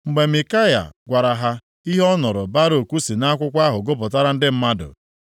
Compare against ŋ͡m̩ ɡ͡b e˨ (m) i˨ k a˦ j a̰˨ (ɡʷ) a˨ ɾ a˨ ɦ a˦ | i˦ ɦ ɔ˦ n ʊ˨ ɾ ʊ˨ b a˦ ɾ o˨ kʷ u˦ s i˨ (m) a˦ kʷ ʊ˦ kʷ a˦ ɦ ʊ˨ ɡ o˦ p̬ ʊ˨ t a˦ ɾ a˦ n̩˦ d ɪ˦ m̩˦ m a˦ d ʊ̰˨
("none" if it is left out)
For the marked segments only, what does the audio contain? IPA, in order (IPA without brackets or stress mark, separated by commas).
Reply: m, ɡʷ, n